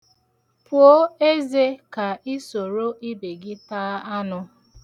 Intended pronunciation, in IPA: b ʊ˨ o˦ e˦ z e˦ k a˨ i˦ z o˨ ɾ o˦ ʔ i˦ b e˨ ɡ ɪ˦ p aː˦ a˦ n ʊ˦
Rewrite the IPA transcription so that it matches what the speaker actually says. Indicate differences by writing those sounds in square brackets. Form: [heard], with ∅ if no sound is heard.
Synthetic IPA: [p] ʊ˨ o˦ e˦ z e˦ k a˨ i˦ [s] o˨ ɾ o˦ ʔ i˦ b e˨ ɡ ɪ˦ [t] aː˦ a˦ n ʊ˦